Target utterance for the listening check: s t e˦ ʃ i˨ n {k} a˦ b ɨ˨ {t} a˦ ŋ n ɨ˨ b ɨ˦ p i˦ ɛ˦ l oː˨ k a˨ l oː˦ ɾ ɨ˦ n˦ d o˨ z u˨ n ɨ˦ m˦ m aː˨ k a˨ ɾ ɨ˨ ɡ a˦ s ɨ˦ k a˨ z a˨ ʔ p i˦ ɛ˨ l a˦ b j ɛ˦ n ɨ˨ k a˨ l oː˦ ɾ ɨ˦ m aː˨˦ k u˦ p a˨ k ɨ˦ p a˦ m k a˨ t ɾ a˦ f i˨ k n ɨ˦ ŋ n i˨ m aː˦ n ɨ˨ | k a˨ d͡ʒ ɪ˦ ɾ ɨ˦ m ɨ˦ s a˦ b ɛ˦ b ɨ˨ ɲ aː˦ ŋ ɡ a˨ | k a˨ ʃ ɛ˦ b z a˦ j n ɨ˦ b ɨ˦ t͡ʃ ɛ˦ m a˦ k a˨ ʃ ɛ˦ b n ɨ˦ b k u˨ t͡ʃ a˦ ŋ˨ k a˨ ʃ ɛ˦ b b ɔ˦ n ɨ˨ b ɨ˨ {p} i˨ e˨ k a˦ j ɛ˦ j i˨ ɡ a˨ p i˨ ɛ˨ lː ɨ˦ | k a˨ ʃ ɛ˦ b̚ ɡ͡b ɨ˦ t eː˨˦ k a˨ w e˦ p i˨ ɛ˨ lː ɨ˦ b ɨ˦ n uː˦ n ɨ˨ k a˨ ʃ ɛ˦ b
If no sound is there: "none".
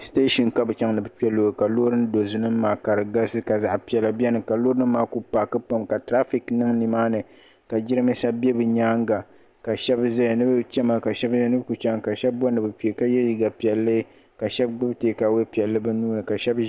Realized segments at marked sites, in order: k, t͡ʃ, p

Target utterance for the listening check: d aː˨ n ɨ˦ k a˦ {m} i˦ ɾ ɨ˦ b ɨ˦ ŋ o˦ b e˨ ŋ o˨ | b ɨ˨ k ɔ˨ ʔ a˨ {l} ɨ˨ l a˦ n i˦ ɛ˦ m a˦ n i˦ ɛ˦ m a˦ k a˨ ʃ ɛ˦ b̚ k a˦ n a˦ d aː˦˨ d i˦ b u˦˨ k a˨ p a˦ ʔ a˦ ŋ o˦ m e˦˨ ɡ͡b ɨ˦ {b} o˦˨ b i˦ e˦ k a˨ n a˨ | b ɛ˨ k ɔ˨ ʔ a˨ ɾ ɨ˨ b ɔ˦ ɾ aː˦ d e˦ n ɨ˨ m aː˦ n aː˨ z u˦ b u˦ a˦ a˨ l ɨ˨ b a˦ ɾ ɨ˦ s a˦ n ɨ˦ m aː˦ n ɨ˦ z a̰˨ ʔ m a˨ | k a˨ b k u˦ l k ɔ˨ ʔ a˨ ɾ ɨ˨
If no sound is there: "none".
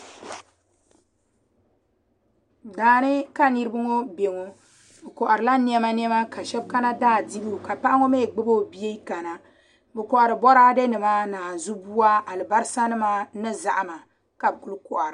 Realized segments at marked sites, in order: n, ɾ, b

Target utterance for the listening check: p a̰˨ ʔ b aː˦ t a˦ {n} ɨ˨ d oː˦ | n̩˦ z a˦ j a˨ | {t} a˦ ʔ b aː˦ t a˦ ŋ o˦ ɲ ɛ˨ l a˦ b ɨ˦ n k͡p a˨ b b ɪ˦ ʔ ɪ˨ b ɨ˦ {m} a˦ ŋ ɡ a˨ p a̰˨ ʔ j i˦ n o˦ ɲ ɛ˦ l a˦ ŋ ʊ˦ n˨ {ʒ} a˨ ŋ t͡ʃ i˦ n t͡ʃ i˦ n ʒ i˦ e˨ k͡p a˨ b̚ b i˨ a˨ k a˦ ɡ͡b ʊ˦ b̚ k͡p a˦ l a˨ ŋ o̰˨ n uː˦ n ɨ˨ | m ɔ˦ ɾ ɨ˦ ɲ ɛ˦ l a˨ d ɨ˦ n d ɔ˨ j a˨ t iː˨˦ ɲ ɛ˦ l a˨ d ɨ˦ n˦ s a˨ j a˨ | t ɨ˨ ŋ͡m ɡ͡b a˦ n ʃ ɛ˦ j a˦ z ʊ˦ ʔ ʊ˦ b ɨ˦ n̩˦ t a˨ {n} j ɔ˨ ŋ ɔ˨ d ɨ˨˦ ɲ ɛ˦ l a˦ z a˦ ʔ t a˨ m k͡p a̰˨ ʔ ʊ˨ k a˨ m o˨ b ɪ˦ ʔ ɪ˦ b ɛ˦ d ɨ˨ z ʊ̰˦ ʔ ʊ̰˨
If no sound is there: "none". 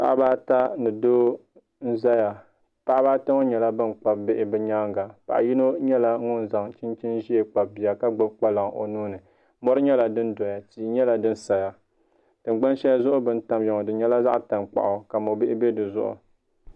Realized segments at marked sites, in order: n, p, ɲ, z, m

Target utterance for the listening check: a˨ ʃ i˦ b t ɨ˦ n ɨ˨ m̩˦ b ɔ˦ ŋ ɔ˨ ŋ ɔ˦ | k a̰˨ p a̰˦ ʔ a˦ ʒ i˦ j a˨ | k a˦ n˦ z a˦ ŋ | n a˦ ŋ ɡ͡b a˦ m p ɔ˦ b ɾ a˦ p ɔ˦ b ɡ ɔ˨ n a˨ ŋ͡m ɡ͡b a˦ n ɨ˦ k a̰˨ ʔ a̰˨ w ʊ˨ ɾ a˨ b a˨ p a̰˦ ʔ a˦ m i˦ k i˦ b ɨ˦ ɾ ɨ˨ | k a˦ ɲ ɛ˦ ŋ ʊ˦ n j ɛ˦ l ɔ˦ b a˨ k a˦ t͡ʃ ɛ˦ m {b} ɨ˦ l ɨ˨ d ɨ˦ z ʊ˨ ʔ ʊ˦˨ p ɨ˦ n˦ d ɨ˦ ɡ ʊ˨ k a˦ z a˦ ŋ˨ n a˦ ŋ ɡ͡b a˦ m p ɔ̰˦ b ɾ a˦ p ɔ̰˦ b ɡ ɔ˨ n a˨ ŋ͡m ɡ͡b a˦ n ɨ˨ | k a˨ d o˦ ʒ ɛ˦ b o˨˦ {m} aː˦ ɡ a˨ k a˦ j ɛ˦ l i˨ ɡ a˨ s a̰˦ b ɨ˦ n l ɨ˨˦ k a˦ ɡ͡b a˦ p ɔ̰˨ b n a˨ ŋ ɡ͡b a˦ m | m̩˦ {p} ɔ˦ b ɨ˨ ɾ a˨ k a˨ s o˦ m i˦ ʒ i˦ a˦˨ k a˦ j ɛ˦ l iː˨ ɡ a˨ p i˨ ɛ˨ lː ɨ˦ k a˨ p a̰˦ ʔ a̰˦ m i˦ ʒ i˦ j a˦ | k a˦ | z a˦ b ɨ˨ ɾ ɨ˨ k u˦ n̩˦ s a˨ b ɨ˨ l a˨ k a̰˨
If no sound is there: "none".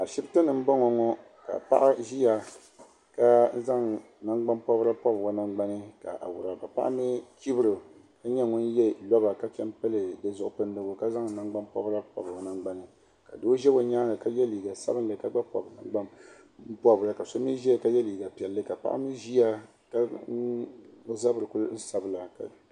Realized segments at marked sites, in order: p, ɲ, p

